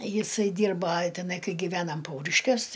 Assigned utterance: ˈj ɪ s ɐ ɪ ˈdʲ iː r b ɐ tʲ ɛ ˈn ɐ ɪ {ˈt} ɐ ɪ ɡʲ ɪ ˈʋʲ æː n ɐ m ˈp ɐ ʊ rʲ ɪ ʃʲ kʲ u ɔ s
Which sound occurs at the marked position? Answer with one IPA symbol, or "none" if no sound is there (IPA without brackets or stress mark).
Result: k